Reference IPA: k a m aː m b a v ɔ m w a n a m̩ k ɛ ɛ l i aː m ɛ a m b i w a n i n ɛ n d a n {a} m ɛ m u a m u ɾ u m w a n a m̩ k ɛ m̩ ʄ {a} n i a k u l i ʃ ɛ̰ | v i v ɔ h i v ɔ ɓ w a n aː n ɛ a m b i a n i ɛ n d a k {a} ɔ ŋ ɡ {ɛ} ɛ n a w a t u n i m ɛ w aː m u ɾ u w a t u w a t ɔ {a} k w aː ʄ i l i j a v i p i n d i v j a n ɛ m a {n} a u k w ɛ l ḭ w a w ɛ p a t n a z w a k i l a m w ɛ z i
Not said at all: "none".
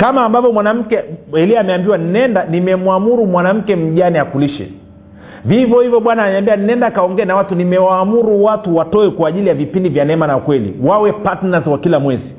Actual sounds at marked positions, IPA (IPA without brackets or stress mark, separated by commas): i, a, a, ɛ, ɛ, n